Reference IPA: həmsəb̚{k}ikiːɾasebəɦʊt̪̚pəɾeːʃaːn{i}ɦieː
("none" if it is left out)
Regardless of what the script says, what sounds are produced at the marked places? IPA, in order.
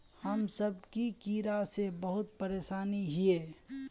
k, i

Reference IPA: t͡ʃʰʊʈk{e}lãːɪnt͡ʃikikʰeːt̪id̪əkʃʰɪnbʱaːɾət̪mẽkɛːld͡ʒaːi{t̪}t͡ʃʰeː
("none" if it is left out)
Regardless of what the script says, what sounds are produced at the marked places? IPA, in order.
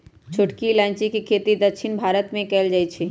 i, none

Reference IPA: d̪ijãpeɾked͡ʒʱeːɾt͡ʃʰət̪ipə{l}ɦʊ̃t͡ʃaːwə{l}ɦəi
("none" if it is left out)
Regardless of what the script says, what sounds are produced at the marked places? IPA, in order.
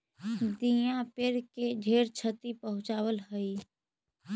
none, l

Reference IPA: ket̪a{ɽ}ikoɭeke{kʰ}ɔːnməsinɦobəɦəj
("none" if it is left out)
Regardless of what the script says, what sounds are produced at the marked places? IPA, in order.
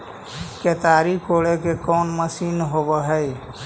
ɾ, k

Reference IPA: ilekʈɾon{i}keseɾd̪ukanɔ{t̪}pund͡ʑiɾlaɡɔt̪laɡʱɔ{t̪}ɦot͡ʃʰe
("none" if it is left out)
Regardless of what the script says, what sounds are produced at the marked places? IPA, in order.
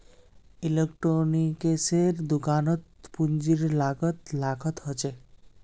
i, t̪, t̪

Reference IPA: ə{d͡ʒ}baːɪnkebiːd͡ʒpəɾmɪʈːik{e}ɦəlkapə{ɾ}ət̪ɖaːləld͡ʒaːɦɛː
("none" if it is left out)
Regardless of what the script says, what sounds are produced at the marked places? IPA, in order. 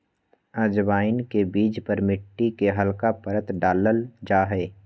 d͡ʒ, e, ɾ

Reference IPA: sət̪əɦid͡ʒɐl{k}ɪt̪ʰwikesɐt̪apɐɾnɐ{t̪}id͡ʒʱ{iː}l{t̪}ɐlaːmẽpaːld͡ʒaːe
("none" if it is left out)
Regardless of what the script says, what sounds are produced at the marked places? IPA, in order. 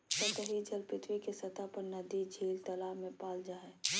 p, d̪, iː, t̪

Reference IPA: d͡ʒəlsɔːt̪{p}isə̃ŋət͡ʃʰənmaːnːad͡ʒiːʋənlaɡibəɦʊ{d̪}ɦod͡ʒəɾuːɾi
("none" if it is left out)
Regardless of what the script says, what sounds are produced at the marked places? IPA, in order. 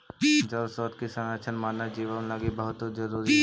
k, t̪

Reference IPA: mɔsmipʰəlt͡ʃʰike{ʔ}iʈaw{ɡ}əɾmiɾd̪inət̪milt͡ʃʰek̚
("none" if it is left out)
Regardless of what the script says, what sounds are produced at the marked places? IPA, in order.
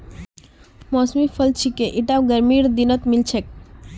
ʔ, ɡ

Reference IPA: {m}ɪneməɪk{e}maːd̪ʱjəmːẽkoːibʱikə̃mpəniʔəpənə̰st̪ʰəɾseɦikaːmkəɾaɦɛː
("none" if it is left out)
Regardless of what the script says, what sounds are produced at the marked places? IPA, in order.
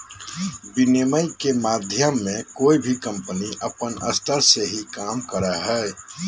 b, e

